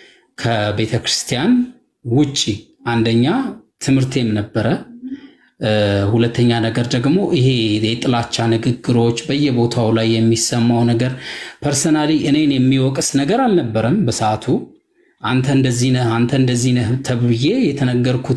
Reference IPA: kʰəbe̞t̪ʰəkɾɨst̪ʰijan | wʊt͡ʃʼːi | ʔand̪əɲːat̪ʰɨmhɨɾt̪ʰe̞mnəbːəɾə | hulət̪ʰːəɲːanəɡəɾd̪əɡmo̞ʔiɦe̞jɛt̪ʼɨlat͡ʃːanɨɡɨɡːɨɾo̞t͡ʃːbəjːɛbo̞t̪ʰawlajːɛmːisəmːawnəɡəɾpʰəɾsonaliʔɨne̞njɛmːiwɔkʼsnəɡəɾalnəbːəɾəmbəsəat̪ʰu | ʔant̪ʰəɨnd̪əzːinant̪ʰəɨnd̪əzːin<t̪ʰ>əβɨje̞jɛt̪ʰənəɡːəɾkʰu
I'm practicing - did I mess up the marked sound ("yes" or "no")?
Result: no